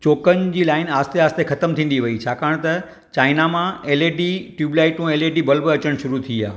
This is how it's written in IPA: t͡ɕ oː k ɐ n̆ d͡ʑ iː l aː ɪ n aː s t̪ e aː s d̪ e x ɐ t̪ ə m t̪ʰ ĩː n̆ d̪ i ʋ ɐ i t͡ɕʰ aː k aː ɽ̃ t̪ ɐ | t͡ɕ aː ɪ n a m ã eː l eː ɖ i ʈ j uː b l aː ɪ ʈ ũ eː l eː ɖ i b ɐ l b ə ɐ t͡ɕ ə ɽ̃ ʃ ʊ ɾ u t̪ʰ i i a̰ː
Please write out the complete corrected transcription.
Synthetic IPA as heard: t͡ɕ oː k ə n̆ d͡ʑ iː l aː ɪ n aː s t̪ e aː s t̪ e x ɐ t̪ ə m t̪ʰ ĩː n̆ d̪ i ʋ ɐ i t͡ɕʰ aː k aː ɽ̃ t̪ ɐ | t͡ɕ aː ɪ n a m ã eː l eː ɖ i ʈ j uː b l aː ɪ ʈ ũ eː l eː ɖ i b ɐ l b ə ɐ t͡ɕ ə ɽ̃ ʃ ʊ ɾ u t̪ʰ i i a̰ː